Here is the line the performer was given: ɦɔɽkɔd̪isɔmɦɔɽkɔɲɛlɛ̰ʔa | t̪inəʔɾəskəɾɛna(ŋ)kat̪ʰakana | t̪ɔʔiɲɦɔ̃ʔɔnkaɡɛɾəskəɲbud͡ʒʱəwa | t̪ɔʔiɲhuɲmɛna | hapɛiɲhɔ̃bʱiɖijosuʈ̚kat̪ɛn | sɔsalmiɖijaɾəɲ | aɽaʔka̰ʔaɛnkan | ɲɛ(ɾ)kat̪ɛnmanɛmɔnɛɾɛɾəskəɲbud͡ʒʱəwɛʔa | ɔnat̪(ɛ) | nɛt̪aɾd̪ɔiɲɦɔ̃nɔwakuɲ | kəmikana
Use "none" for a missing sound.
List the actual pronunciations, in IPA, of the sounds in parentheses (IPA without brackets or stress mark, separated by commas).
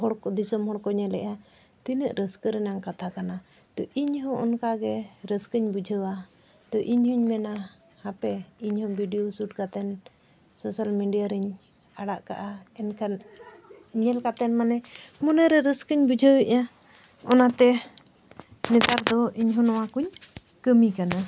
ŋ, l, ɛ